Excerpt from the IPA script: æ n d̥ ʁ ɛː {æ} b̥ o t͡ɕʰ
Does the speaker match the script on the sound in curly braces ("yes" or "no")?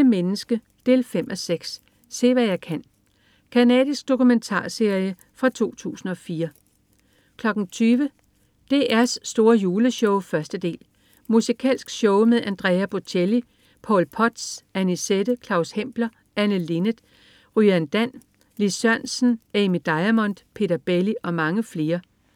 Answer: yes